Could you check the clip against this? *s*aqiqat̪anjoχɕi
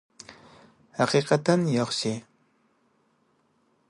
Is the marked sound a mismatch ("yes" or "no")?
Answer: yes